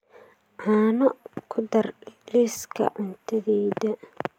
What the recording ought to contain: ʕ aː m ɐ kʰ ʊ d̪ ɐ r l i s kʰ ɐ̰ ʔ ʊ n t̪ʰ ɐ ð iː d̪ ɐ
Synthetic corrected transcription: ʕ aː n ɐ kʰ ʊ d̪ ɐ r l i s kʰ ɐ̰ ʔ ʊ n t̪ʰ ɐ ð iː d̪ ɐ